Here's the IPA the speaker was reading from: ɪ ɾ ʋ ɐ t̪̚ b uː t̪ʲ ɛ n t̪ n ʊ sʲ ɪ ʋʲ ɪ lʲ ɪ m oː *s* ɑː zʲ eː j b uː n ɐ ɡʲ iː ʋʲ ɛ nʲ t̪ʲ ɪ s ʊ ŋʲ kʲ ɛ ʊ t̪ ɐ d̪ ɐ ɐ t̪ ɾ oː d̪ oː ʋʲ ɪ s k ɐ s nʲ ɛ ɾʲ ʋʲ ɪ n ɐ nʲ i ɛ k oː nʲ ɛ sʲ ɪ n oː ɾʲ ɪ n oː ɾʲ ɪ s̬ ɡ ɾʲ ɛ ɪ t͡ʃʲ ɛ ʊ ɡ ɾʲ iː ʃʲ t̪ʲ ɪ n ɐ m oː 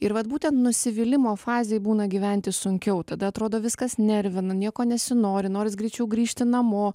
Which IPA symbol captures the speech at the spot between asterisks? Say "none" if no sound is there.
f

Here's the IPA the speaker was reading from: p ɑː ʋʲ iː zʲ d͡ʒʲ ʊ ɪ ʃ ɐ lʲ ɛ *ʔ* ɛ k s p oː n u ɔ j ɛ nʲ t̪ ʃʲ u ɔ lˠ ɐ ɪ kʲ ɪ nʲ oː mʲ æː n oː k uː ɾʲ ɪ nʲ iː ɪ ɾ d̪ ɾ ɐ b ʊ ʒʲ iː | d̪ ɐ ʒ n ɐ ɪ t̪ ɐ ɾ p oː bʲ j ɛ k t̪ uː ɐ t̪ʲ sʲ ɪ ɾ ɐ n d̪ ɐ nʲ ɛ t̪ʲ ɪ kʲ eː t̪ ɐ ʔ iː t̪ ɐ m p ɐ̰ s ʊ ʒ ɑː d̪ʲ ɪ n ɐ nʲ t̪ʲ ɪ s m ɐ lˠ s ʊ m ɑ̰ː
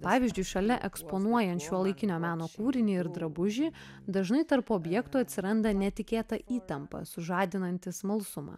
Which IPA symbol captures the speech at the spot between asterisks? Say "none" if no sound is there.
ʔ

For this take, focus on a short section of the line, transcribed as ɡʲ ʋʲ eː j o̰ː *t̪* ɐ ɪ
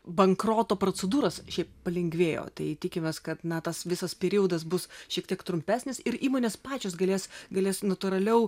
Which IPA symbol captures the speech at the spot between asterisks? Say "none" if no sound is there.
t̪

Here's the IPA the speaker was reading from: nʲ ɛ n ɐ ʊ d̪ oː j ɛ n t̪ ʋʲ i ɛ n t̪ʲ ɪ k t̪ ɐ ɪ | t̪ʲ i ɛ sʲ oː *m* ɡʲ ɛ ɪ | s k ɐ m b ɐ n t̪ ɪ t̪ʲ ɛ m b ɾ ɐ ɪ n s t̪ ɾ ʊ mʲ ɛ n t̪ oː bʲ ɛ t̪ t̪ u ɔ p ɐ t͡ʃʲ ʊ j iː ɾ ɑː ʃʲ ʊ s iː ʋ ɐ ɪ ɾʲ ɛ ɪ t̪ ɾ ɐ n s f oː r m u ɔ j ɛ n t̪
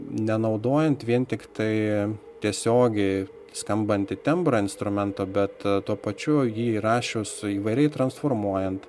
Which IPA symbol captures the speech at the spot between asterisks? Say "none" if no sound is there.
none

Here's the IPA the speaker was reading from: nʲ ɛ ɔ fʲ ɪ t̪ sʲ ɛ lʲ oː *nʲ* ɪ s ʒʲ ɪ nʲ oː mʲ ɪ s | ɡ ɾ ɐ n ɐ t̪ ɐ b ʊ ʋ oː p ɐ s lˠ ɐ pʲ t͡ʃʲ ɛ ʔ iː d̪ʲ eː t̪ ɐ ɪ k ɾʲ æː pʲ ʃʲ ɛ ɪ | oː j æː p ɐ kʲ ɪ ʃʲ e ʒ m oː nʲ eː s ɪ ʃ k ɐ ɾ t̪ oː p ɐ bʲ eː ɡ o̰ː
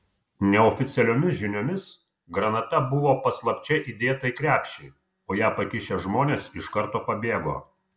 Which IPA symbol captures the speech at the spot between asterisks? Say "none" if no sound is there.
mʲ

